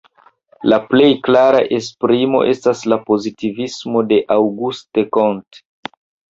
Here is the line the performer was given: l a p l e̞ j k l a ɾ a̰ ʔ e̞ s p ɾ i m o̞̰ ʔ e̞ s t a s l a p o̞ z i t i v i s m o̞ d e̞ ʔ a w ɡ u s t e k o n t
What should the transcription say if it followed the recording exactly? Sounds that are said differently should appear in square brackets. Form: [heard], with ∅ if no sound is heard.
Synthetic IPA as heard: l a p l e̞ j k l a ɾ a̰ ʔ e̞ s p ɾ i m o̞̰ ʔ e̞ s t a s l a p o̞ z i t i v i s m o̞ d e̞ ʔ a w ɡ u s t e k o n t